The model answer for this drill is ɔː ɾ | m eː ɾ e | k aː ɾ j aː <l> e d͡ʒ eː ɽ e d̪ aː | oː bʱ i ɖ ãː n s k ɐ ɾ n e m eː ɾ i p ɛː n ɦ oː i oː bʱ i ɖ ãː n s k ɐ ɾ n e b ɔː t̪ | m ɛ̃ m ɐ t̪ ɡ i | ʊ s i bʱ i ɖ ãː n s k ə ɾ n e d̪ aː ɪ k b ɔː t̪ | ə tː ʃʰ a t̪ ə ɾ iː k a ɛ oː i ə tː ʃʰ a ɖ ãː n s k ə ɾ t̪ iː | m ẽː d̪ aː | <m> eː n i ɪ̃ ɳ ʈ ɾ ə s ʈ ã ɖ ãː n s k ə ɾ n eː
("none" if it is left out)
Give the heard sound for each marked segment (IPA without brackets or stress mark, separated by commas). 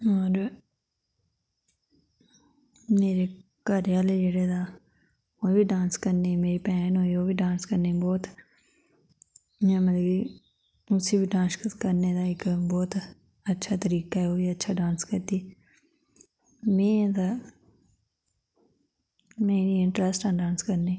l, m